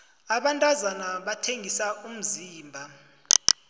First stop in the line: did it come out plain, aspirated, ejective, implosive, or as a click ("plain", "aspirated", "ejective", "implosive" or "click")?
implosive